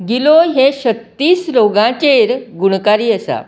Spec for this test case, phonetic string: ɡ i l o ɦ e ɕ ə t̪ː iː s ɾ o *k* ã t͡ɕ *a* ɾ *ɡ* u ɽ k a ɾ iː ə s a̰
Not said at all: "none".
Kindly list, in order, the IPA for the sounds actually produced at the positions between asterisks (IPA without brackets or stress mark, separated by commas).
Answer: ɡ, e, ɡ